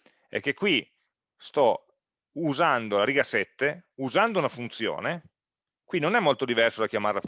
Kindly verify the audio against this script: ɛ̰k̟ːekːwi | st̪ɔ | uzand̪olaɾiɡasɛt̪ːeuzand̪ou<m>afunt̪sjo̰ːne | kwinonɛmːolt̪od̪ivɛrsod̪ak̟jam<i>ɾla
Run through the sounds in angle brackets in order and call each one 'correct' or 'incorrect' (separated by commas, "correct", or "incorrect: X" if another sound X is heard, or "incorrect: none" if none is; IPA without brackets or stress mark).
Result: incorrect: n, incorrect: a